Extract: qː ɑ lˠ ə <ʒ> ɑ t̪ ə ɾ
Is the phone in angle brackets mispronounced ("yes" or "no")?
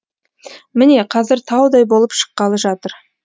no